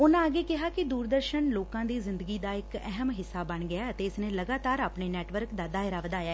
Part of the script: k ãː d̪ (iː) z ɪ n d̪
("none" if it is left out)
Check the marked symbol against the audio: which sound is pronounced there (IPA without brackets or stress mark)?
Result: iː